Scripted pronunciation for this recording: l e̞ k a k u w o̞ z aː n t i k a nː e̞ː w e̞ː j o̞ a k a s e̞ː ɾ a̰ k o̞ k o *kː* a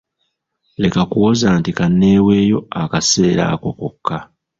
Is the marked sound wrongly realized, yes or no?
no